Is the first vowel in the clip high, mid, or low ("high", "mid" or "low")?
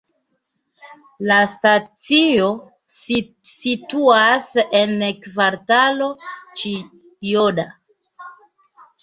low